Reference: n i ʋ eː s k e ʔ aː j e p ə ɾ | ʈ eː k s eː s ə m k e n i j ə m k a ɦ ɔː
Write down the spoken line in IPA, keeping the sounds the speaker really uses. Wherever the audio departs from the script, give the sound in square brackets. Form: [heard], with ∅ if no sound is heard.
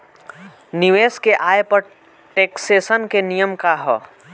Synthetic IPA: n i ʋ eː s k e ʔ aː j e p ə ɾ | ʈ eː k s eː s ə [n] k e n i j ə m k a ɦ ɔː